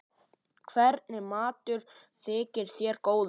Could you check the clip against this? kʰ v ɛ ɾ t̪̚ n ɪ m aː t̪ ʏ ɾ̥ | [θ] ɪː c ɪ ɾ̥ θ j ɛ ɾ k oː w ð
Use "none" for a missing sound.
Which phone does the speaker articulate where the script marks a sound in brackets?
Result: θ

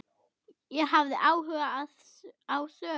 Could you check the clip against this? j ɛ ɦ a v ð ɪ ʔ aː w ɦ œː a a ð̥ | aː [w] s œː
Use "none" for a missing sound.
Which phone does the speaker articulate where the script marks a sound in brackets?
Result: w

